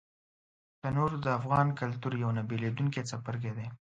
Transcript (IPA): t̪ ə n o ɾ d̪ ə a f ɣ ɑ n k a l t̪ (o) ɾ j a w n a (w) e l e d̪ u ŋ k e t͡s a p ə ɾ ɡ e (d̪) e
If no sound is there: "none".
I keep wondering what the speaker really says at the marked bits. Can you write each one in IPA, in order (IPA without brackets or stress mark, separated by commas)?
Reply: u, b, d̪